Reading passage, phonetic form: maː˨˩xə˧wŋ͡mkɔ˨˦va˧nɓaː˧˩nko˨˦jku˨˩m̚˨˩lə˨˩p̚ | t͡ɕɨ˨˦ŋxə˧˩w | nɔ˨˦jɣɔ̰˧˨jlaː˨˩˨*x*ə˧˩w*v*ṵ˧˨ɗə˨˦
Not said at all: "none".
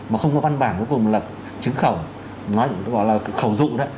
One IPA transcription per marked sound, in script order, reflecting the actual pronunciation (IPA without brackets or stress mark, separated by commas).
x, z